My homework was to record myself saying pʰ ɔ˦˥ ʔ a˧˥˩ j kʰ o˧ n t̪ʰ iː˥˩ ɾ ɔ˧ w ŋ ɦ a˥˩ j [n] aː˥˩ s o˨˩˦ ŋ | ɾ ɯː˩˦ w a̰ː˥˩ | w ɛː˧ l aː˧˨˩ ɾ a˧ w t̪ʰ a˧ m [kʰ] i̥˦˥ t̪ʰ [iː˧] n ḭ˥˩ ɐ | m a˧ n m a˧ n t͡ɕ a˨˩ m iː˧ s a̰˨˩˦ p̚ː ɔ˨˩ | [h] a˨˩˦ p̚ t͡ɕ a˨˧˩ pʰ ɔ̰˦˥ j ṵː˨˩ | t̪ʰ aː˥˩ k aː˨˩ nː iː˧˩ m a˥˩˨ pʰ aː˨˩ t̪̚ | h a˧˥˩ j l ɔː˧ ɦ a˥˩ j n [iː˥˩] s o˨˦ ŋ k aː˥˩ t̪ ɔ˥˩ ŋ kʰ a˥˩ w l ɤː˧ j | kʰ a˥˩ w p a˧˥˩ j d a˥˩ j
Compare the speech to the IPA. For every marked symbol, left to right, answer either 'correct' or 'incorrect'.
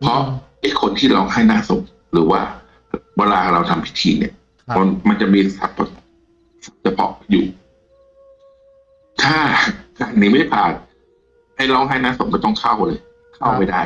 correct, incorrect, correct, incorrect, incorrect

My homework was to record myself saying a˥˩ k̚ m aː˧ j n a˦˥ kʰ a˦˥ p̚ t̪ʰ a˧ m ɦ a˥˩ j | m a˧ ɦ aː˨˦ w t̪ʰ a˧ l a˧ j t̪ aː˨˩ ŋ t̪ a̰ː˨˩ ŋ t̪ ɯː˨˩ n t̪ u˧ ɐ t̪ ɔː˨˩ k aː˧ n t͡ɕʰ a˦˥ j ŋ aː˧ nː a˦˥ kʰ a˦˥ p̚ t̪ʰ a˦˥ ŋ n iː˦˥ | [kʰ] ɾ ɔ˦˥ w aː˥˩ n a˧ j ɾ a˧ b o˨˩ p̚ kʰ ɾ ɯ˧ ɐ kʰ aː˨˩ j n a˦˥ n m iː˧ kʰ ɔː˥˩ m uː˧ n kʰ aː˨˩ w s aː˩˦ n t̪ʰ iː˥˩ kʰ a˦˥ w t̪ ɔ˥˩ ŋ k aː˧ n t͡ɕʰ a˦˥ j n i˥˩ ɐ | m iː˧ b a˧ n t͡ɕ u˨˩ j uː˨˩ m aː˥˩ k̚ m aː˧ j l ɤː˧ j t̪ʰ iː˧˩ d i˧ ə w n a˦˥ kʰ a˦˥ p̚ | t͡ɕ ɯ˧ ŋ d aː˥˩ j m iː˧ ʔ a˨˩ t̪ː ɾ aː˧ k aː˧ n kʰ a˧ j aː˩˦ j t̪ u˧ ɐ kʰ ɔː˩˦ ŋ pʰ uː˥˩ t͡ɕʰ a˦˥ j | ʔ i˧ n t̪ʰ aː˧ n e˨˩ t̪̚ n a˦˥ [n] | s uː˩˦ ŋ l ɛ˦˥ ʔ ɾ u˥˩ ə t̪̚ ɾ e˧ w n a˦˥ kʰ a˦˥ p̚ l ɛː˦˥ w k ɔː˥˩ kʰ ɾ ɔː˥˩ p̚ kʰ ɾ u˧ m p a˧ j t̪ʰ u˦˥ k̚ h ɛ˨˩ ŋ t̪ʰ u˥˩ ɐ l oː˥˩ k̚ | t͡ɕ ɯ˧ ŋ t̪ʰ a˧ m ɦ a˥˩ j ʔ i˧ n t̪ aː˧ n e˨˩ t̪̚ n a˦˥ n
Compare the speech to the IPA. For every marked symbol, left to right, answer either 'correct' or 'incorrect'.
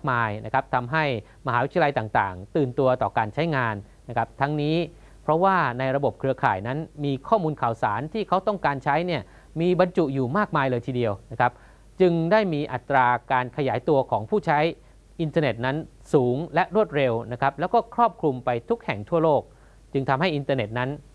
incorrect, correct

